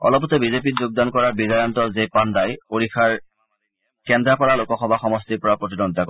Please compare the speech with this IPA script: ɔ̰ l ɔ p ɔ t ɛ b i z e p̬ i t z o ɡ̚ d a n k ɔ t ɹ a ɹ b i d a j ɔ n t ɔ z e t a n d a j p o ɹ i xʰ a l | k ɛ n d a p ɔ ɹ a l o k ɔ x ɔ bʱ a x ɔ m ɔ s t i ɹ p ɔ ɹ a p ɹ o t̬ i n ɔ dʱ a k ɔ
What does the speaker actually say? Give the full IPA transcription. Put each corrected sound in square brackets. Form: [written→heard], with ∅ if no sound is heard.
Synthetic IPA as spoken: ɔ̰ l ɔ p ɔ t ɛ b i z e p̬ i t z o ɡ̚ d a n k ɔ [t→∅] ɹ a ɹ b i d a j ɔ n t ɔ z e [t→p] a n d a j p o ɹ i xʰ a [l→ɹ] | k ɛ n d a p ɔ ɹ a l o k ɔ x ɔ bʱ a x ɔ m ɔ s t i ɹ p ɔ ɹ a p ɹ o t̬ i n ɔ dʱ a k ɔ

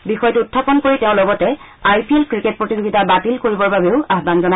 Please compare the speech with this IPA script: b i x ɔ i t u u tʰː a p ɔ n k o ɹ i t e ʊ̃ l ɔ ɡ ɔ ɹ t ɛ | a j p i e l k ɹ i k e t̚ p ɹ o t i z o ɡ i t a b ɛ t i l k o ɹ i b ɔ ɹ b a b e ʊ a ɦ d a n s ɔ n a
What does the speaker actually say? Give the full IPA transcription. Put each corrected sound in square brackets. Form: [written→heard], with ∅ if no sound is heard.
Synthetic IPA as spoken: b i x ɔ [i→j] t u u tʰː a p ɔ n k o ɹ i t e ʊ̃ l ɔ ɡ ɔ [ɹ→∅] t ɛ | a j p i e l k ɹ i k e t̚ p ɹ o t i z o ɡ i t a b [ɛ→a] t i l k o ɹ i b ɔ ɹ b a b e ʊ a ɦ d a n [s→z] ɔ n a

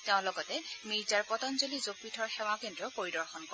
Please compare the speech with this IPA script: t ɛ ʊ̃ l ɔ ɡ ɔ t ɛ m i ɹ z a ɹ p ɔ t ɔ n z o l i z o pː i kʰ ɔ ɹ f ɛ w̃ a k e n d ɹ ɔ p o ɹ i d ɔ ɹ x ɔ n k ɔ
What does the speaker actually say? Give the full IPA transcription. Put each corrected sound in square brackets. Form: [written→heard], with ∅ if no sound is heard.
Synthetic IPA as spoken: t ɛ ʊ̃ l ɔ ɡ ɔ t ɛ m i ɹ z a ɹ p ɔ t ɔ n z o l i z o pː i [kʰ→tʰ] ɔ ɹ [f→x] ɛ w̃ a k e n d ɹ ɔ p o ɹ i d ɔ ɹ x ɔ n k ɔ

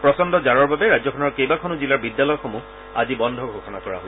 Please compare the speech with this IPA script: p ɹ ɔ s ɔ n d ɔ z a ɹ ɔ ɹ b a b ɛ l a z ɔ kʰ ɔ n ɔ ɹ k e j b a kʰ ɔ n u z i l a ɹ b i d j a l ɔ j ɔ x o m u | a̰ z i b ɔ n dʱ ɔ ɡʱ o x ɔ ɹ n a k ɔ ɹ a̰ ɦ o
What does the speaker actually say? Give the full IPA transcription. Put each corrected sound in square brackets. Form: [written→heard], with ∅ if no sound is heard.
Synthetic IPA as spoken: p ɹ ɔ s ɔ n d ɔ z a ɹ ɔ ɹ b a b ɛ [l→ɹ] a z ɔ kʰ ɔ n ɔ ɹ k e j b a kʰ ɔ n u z i l a ɹ b i d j a l ɔ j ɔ x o m u | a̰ z i b ɔ n dʱ ɔ ɡʱ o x ɔ [ɹ→∅] n a k ɔ ɹ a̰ ɦ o

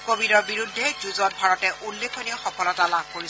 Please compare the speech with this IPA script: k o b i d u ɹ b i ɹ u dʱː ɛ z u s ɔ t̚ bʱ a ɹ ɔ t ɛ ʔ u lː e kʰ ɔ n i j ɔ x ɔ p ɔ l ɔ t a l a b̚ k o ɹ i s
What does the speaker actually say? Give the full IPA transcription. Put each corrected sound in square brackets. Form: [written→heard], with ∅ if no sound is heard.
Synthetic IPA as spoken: k o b i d [u→ɔ] ɹ b i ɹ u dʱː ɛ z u [s→z] ɔ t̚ bʱ a ɹ ɔ t ɛ ʔ u lː e kʰ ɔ n i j ɔ x ɔ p ɔ l ɔ t a l a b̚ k o ɹ i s

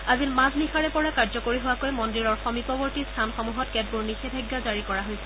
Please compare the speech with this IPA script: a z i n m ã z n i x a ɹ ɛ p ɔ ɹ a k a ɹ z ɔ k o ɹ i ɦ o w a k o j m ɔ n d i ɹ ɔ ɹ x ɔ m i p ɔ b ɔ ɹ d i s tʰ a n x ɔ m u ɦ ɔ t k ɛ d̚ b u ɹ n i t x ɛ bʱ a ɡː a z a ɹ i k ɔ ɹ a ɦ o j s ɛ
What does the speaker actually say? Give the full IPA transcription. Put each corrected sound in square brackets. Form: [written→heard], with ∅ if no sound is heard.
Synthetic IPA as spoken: a z i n m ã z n i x a ɹ ɛ p ɔ ɹ a k a ɹ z ɔ k o ɹ i ɦ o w a k o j m ɔ n d i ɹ ɔ ɹ x ɔ m i p ɔ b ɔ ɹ [d→t] i s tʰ a n x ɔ m u ɦ ɔ t k ɛ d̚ b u ɹ n i [t→∅] x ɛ bʱ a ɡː a z a ɹ i k ɔ ɹ a ɦ o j s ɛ

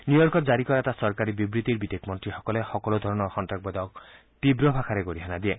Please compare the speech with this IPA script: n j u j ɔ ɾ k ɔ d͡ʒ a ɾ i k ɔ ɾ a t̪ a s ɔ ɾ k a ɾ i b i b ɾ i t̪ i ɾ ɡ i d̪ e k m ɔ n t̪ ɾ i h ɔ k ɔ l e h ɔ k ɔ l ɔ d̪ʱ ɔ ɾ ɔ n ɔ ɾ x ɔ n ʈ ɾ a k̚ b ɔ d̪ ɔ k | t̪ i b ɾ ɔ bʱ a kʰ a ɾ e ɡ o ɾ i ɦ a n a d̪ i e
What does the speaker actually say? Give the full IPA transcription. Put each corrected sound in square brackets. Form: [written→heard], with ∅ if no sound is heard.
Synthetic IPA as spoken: n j u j ɔ ɾ k ɔ d͡ʒ a ɾ i k ɔ ɾ a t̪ a s ɔ ɾ k a ɾ i b i b ɾ i t̪ i ɾ [ɡ→b] i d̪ e k m ɔ n t̪ ɾ i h ɔ k ɔ l e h ɔ k ɔ l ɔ d̪ʱ ɔ ɾ ɔ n ɔ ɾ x ɔ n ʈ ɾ a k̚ b ɔ d̪ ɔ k | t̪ i b ɾ ɔ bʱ a kʰ a ɾ e ɡ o ɾ i ɦ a n a d̪ i e

